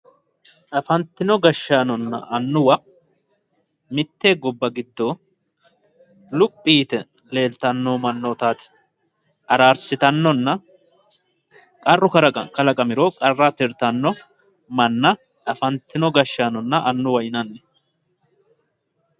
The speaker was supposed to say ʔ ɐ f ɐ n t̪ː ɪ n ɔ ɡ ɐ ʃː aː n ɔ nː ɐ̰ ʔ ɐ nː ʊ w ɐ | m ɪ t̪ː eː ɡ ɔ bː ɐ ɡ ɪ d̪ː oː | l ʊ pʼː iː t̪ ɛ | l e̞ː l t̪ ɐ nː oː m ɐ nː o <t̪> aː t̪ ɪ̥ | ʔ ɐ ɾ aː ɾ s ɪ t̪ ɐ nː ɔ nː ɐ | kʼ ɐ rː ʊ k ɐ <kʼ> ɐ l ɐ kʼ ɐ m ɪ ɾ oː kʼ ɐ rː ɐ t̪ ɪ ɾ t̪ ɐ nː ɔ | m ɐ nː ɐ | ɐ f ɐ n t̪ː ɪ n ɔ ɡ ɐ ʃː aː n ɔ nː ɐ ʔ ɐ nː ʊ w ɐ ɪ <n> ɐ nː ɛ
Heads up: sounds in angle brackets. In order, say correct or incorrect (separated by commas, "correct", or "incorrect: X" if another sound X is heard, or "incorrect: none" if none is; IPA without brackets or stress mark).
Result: correct, incorrect: k, correct